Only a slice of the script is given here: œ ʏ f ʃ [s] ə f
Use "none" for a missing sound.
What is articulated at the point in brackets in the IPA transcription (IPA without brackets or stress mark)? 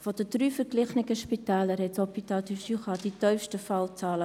t